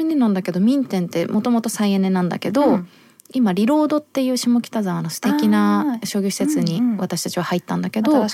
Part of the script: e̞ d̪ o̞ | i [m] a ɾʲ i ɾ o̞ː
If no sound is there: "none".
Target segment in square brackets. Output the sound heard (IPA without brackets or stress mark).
m